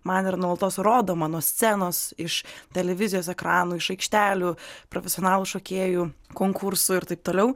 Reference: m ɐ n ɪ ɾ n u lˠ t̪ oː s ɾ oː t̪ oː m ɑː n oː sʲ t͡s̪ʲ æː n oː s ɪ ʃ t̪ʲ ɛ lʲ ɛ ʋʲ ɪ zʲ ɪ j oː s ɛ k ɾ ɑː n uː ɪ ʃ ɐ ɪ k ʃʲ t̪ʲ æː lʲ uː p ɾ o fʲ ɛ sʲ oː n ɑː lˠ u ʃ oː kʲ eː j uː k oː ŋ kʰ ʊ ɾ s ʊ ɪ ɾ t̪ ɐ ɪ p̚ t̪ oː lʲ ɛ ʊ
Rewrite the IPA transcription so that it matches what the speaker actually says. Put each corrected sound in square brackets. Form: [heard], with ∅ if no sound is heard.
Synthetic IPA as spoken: m ɐ n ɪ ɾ n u lˠ t̪ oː s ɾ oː [d̪] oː m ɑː n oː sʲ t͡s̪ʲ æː n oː s ɪ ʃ t̪ʲ ɛ lʲ ɛ ʋʲ ɪ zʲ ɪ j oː s ɛ k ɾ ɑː n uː ɪ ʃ ɐ ɪ k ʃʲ t̪ʲ æː lʲ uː p ɾ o fʲ ɛ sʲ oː n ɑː lˠ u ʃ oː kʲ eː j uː k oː ŋ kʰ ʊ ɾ s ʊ ɪ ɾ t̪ ɐ ɪ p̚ t̪ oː lʲ ɛ ʊ